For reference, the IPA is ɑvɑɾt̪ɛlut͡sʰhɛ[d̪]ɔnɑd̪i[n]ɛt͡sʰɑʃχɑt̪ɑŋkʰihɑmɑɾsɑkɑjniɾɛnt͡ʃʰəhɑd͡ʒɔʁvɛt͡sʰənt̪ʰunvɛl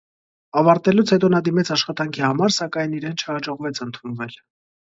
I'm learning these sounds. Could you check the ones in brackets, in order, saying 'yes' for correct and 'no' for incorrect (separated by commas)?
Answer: no, no